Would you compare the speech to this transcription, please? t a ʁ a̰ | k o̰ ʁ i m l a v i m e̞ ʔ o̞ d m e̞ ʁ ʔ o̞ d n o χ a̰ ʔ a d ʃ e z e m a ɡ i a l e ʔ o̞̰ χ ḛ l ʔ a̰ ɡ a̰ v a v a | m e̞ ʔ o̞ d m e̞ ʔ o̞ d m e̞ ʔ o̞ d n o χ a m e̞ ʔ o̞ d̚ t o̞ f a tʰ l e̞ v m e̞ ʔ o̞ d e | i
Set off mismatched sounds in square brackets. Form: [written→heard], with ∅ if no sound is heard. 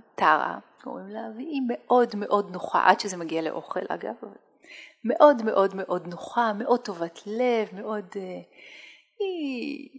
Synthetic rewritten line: t a ʁ a̰ | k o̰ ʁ i m l a v i m e̞ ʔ o̞ d m e̞ [ʁ→∅] ʔ o̞ d n o χ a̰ ʔ a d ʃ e z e m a ɡ i a l e ʔ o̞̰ χ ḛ l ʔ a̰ ɡ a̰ v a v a | m e̞ ʔ o̞ d m e̞ ʔ o̞ d m e̞ ʔ o̞ d n o χ a m e̞ ʔ o̞ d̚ t o̞ [f→v] a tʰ l e̞ v m e̞ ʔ o̞ d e | i